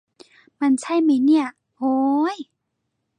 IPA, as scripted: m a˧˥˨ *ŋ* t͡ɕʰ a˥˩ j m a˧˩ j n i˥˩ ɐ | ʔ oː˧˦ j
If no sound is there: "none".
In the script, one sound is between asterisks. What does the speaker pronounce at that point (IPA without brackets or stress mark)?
n